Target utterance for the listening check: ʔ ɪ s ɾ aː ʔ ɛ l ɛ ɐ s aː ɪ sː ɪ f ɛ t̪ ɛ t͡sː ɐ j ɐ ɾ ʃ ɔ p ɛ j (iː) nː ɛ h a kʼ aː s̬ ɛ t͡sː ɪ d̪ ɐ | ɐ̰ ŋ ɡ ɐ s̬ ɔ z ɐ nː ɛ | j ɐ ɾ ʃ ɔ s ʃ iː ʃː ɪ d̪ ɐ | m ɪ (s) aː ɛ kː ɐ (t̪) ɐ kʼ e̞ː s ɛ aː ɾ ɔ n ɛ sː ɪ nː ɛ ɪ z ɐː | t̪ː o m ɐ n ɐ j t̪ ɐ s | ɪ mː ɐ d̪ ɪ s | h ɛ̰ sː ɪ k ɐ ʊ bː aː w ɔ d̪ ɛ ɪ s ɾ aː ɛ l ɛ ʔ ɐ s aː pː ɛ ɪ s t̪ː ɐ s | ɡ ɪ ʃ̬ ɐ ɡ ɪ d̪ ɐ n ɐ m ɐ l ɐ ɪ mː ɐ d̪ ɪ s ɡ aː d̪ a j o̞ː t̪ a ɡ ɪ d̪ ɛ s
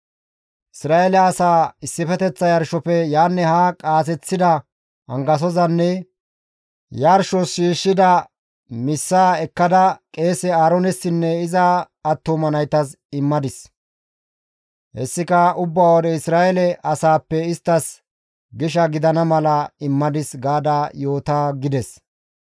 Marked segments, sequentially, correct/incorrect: incorrect: aː, incorrect: sː, incorrect: d̪

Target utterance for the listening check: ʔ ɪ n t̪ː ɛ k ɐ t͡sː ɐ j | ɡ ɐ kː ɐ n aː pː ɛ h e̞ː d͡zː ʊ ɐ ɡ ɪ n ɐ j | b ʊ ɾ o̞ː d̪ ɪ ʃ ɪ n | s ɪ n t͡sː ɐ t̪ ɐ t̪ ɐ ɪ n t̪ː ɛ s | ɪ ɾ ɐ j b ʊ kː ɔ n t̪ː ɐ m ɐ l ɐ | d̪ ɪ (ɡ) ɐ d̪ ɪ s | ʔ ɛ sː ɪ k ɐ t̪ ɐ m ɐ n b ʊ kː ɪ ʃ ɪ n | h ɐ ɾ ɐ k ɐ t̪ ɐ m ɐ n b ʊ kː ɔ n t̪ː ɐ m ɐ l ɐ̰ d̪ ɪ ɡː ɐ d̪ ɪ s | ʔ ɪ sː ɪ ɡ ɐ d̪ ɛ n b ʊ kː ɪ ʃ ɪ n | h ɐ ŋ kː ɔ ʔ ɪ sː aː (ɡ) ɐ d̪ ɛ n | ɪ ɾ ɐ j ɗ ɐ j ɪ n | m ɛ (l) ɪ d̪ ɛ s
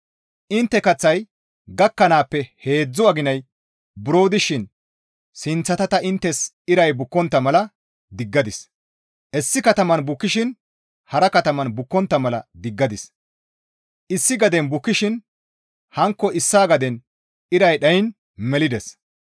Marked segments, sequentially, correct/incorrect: incorrect: ɡː, correct, correct

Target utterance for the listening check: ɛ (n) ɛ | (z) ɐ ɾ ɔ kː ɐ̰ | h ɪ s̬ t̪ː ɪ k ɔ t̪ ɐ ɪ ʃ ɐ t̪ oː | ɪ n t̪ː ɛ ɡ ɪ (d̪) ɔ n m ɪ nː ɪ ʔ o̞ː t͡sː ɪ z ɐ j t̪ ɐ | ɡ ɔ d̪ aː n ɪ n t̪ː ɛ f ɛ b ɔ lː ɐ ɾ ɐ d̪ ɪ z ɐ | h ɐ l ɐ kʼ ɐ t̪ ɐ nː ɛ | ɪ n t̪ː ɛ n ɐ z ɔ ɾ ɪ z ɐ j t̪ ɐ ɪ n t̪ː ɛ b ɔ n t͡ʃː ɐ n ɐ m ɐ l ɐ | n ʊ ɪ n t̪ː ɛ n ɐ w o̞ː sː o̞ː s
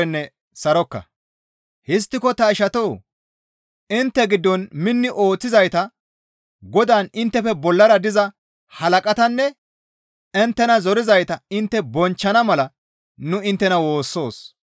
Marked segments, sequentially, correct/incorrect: incorrect: nː, incorrect: s, incorrect: d̪ː

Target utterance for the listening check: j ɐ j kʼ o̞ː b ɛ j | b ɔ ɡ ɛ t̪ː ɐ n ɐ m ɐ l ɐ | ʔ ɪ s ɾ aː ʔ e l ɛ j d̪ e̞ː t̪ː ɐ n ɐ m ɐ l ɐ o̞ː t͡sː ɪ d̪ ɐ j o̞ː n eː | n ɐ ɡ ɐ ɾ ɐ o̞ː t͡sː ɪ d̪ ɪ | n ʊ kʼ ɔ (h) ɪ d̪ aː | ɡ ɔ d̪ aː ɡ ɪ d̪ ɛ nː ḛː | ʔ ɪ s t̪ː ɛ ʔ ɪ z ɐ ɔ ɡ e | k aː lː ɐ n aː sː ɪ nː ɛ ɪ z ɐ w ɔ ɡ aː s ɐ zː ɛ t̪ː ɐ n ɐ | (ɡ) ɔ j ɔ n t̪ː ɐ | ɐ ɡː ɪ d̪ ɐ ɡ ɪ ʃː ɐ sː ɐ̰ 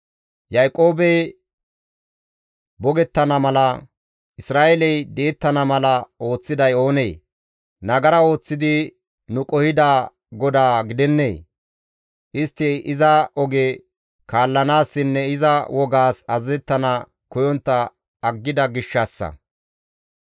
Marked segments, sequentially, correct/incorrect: correct, incorrect: k

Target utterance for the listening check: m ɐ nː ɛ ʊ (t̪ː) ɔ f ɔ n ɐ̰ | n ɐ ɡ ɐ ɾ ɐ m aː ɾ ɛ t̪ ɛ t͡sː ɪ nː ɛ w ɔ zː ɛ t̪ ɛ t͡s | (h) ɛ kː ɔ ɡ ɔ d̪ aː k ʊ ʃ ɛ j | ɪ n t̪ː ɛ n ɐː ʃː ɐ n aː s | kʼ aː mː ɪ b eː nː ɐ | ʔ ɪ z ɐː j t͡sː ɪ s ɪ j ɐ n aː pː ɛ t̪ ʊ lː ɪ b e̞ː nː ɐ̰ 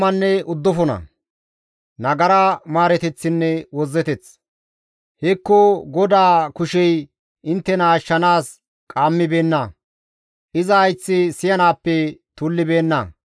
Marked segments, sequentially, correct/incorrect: incorrect: d̪ː, correct

